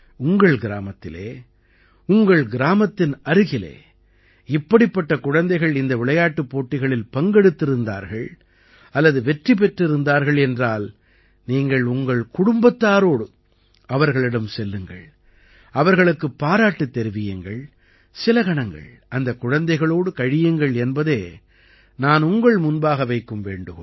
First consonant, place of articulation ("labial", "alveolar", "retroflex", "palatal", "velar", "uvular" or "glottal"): velar